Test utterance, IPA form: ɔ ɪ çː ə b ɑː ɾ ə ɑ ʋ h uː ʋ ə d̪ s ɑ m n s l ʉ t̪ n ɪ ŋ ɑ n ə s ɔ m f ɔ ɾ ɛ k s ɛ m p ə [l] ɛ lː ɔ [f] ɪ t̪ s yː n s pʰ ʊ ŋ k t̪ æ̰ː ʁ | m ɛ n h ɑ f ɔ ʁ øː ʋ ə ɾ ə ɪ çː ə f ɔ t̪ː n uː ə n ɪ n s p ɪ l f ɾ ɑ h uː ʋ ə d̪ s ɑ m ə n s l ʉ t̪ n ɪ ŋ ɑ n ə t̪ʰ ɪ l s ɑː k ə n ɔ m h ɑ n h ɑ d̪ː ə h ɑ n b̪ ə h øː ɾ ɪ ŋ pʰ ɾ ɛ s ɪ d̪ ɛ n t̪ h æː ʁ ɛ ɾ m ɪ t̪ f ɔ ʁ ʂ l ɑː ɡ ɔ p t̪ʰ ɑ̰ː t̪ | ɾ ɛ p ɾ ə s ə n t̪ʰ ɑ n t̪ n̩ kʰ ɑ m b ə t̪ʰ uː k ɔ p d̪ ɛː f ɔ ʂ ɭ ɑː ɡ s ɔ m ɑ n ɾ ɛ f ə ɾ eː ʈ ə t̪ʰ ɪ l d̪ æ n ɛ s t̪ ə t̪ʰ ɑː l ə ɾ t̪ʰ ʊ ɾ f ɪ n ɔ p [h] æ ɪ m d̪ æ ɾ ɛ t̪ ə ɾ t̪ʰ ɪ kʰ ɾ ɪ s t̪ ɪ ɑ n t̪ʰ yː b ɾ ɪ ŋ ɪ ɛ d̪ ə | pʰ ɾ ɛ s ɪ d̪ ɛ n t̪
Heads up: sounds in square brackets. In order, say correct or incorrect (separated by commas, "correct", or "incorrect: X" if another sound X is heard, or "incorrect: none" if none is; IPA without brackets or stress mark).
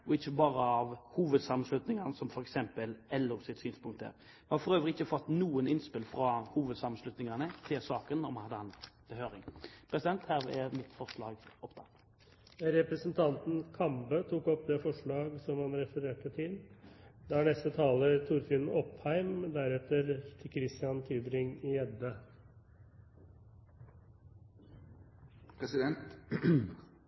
correct, incorrect: s, correct